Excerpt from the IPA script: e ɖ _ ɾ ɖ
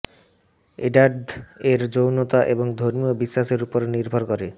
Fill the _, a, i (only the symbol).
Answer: a